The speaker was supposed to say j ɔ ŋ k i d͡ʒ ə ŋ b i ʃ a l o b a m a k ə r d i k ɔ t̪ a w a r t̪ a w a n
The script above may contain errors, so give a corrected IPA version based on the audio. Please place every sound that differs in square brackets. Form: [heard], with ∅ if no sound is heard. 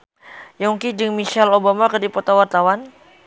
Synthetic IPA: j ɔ ŋ k i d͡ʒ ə ŋ [m] i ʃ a l o b a m a k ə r d i [p] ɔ t̪ a w a r t̪ a w a n